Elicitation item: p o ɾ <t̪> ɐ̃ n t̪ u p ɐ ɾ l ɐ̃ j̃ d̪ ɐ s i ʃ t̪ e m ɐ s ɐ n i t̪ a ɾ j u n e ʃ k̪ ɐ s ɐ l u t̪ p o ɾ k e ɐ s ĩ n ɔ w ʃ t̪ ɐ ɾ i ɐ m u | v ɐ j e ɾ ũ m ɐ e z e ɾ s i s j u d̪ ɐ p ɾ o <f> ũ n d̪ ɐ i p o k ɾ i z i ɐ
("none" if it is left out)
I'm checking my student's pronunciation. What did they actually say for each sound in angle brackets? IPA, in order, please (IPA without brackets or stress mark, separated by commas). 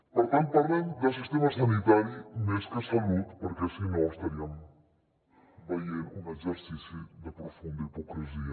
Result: t̪, f